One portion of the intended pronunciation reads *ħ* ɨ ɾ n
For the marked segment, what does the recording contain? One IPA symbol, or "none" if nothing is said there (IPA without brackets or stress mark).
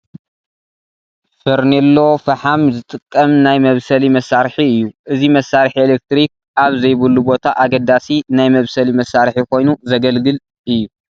f